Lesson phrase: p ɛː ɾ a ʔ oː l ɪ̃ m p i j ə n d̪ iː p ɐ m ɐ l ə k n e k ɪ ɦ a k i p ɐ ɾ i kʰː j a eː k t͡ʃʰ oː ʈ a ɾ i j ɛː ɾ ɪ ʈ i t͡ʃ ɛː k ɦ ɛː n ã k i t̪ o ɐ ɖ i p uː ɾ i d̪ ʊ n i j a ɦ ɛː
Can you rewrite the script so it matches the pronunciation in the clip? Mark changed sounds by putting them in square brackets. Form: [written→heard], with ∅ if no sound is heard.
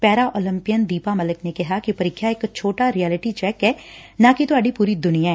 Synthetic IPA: p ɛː ɾ a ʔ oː l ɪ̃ m p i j ə n d̪ iː p [ɐ→a] m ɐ l ə k n e k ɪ ɦ a k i p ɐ ɾ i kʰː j a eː k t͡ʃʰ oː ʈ a ɾ i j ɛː [ɾ→l] ɪ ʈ i t͡ʃ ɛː k ɦ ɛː n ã k i t̪ o ɐ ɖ i p uː ɾ i d̪ ʊ n i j a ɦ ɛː